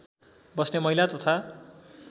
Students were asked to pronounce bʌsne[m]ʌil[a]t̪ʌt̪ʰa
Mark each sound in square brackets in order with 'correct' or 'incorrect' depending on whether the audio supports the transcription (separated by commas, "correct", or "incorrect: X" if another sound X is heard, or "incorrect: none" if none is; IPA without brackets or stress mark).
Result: correct, correct